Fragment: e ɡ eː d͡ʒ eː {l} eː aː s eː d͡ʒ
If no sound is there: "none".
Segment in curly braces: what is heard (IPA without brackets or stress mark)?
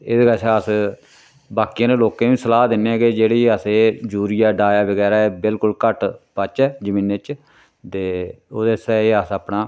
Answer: ɽ